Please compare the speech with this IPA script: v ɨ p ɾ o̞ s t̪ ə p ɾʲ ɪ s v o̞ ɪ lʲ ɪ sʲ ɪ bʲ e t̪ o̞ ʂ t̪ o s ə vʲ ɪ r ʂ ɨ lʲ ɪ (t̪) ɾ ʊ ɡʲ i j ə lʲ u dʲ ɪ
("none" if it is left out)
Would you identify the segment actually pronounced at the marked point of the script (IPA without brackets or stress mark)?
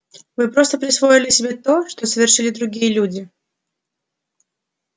d̪